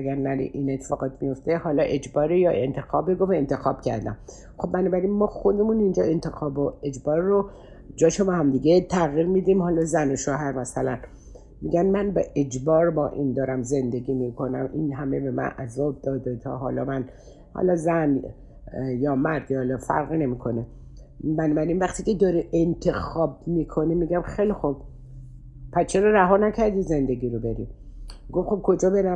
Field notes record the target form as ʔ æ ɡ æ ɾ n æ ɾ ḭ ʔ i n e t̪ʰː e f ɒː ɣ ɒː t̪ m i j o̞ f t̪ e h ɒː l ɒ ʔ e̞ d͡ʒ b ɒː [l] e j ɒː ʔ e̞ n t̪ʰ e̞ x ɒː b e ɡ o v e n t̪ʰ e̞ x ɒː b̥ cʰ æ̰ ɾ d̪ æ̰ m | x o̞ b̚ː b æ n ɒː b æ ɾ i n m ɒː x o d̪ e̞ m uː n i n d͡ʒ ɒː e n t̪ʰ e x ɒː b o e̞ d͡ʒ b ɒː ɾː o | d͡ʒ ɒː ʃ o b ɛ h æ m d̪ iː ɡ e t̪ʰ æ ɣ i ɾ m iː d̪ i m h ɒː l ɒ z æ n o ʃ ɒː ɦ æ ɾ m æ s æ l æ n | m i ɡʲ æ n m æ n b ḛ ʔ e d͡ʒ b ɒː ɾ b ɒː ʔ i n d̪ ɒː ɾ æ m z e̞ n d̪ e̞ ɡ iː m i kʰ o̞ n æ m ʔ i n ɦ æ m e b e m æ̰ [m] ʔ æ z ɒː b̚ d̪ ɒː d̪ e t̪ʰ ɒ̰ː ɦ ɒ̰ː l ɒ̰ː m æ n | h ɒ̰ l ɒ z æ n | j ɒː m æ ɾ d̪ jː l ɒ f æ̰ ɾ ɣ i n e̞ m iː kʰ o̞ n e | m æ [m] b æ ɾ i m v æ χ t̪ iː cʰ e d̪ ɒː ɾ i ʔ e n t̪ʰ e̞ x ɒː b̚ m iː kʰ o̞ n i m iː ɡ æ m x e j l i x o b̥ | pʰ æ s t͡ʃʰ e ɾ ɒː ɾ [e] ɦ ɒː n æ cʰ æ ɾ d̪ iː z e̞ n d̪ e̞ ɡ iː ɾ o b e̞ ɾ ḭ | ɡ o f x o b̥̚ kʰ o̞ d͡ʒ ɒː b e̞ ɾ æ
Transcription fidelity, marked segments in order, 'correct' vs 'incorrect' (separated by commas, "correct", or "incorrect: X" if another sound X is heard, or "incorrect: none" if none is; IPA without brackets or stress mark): incorrect: ɾ, incorrect: n, incorrect: n, incorrect: æ